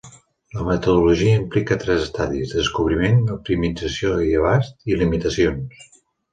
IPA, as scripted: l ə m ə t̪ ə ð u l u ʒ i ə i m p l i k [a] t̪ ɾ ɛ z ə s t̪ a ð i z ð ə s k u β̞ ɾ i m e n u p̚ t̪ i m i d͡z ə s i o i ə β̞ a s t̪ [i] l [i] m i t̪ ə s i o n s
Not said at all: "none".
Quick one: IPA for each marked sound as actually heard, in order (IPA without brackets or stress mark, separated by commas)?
ə, i, i